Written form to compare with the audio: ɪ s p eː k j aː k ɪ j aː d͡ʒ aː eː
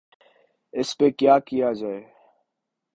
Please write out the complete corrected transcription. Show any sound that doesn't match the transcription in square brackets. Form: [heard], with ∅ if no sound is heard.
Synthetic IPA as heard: ɪ s p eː k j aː k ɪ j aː d͡ʒ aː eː